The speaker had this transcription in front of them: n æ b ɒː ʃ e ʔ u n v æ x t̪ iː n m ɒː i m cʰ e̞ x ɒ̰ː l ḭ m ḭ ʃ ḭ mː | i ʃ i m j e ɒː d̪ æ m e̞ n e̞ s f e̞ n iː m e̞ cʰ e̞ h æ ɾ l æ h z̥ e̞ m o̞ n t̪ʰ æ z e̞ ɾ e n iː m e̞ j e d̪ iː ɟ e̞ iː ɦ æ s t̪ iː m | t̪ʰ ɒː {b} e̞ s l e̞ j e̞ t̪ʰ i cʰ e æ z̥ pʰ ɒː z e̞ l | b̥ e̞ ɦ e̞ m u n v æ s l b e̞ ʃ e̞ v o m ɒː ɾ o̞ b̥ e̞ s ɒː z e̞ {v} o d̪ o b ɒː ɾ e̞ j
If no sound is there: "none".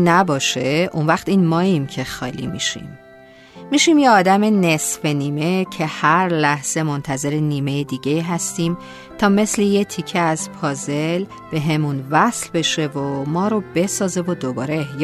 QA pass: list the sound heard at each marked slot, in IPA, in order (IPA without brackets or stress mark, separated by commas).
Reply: m, v